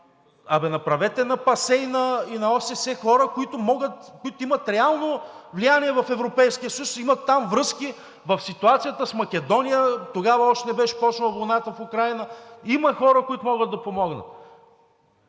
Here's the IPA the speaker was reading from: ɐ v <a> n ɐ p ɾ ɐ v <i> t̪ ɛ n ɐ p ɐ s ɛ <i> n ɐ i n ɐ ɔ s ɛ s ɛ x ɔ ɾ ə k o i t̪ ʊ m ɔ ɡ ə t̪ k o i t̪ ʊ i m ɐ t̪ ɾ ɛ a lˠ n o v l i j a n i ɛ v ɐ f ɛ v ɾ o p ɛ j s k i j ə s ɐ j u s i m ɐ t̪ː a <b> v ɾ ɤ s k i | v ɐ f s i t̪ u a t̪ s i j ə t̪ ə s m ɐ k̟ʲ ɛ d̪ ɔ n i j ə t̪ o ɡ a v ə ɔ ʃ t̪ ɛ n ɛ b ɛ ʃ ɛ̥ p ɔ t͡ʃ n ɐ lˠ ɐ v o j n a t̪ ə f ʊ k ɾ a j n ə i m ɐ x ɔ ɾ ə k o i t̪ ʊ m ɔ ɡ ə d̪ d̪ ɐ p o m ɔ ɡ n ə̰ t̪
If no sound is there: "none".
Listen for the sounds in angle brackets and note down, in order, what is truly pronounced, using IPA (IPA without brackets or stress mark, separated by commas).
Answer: ɛ, ɛ, i, m